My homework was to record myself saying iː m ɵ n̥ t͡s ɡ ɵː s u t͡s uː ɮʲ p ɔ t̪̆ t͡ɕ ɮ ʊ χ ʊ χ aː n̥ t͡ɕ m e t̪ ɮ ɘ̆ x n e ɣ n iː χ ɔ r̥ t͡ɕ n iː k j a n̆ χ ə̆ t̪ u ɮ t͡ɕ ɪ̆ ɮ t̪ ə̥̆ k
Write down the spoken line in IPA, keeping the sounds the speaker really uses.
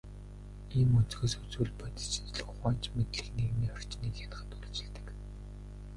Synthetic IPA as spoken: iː m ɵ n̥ t͡s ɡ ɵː s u t͡s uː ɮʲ p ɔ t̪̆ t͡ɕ ɮ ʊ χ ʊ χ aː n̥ t͡ɕ m e t̪ ɮ ɘ̆ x n e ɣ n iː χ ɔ r̥ t͡ɕ n iː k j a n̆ χ ə̆ t̪ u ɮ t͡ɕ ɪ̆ ɮ t̪ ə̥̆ k